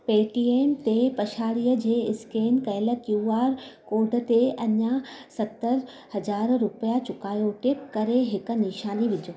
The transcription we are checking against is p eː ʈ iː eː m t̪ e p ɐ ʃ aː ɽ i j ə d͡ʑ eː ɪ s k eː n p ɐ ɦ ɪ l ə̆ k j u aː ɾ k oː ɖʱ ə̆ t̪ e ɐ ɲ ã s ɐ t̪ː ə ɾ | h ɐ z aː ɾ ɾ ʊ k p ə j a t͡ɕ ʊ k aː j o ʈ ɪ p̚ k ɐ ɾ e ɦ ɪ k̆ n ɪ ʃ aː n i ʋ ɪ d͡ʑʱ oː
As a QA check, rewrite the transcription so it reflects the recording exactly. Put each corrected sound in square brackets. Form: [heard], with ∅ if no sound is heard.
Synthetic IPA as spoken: p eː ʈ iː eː m t̪ e p ɐ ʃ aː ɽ i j ə d͡ʑ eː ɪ s k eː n [k] ɐ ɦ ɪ l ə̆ k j u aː ɾ k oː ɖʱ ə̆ t̪ e ɐ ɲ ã s ɐ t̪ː ə ɾ | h ɐ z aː ɾ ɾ ʊ [∅] p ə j a t͡ɕ ʊ k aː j o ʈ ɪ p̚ k ɐ ɾ e ɦ ɪ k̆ n ɪ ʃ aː n i ʋ ɪ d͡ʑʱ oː